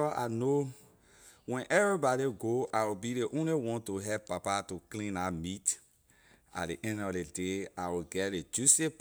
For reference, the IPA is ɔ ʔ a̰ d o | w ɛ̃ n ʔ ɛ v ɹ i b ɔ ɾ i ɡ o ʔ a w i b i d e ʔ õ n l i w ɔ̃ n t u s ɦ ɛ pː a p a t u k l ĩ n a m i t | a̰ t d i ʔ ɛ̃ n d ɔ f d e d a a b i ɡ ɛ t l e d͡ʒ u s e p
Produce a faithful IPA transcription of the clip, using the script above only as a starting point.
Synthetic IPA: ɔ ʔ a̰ n o | w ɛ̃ n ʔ ɛ v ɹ i b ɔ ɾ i ɡ o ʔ a w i b i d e ʔ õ n l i w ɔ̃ n t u ɦ ɛ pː a p a t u k l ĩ n a m i t | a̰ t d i ʔ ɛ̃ n d ɔ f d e d e a w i ɡ ɛ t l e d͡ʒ u s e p